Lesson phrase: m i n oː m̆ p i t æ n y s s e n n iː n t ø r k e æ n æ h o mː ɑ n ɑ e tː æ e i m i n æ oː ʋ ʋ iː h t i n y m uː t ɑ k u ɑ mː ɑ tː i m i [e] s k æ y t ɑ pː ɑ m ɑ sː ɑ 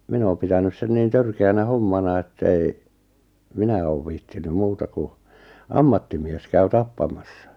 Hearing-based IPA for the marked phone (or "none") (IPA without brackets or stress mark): e